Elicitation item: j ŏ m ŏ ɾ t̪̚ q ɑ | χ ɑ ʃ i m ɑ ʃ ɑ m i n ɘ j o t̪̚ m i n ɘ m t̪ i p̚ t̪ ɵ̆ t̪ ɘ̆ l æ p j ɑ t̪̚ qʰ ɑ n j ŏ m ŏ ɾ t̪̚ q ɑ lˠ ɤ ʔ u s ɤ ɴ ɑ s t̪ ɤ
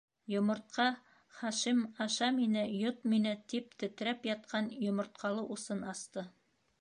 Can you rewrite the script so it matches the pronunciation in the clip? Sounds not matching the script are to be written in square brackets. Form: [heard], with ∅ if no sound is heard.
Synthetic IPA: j ŏ m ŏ ɾ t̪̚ q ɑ | χ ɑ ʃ i m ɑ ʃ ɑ m i n ɘ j o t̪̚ m i n ɘ [∅] t̪ i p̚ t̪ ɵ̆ t̪ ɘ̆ [ɾ] æ p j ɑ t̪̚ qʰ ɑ n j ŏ m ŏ ɾ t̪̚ q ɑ lˠ ɤ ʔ u s ɤ [n] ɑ s t̪ ɤ